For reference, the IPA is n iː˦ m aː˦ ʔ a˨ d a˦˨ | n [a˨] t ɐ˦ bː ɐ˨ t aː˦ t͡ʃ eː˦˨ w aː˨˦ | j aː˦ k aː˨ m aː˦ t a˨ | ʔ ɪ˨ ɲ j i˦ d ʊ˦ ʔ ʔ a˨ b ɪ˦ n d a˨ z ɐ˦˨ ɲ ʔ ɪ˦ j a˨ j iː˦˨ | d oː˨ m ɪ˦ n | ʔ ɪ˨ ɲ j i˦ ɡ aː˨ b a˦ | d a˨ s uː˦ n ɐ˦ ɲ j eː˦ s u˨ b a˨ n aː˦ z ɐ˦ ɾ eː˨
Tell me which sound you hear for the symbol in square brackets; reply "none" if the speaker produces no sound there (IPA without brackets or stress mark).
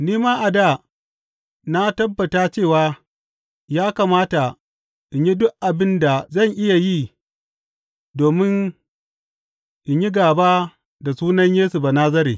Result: a˦